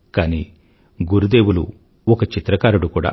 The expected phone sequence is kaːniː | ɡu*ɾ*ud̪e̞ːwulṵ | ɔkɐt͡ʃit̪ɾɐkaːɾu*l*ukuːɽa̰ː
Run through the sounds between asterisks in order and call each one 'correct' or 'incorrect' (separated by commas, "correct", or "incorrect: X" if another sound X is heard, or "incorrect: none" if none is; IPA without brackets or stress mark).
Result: correct, incorrect: ɽ